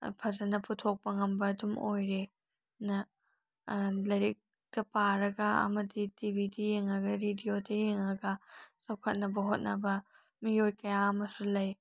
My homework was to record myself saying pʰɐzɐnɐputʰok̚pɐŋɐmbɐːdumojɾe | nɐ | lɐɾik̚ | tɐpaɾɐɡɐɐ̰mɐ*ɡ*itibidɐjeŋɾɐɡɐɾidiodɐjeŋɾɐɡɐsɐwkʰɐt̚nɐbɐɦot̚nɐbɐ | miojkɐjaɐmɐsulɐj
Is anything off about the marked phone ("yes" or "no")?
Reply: yes